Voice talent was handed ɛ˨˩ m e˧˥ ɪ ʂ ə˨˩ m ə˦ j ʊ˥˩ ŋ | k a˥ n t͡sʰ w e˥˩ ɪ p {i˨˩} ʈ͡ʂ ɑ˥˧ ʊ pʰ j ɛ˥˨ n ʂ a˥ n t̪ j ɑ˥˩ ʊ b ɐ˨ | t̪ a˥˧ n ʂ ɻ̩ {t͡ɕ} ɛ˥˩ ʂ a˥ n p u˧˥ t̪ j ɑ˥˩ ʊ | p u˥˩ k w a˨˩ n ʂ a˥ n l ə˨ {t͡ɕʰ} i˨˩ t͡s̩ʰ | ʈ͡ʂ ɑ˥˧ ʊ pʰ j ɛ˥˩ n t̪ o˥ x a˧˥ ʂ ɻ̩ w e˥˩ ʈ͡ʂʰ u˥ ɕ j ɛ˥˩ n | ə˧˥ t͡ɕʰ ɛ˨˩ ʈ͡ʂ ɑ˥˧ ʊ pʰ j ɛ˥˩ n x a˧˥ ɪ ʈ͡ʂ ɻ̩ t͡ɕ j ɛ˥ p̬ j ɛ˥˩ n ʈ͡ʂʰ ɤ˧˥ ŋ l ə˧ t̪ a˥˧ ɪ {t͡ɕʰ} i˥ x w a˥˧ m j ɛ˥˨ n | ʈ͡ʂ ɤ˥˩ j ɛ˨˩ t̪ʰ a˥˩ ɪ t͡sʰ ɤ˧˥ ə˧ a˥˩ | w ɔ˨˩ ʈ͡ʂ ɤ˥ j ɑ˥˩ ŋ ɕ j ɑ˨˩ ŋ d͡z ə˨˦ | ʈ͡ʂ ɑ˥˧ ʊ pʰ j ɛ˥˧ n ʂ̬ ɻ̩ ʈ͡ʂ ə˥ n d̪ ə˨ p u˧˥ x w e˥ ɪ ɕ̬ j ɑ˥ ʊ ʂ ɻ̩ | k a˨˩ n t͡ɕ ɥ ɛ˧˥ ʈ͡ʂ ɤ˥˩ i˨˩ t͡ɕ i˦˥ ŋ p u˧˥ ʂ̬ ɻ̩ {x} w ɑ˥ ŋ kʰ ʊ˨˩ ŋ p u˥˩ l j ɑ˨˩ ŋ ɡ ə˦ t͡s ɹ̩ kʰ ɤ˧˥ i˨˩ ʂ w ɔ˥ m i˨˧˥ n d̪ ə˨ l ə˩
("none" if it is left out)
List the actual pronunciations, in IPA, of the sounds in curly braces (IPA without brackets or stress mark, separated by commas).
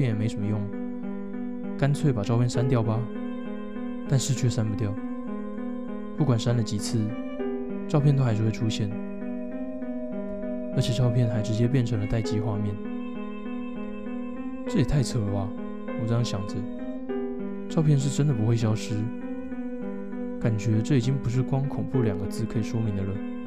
a˨˩, t͡ɕʰ, t͡ɕ, t͡ɕ, k